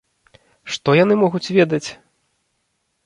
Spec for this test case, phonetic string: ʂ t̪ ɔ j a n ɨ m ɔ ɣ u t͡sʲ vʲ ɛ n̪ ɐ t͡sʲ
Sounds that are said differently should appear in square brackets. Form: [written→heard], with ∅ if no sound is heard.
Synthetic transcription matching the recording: ʂ t̪ ɔ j a n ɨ m ɔ ɣ u t͡sʲ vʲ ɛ [n̪→d̪] ɐ t͡sʲ